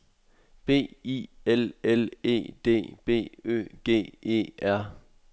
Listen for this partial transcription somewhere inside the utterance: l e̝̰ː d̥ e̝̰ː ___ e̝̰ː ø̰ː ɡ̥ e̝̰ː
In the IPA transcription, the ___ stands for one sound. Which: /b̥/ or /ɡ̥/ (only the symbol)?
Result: b̥